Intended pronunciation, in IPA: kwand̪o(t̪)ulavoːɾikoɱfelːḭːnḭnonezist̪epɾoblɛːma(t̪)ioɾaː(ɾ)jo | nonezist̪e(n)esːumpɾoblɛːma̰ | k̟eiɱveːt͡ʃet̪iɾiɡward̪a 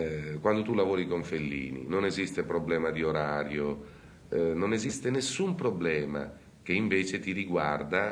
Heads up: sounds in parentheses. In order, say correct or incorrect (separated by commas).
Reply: correct, incorrect, correct, correct